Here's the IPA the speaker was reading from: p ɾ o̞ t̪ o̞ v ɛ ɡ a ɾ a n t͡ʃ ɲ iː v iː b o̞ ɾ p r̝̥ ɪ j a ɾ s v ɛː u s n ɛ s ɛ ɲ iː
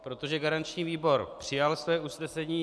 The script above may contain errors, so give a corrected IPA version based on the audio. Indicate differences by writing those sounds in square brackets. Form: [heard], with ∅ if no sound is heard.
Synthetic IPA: p ɾ o̞ t̪ o̞ [ʒ] ɛ ɡ a ɾ a n t͡ʃ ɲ iː v iː b o̞ ɾ p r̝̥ ɪ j a [l] s v ɛː u s n ɛ s ɛ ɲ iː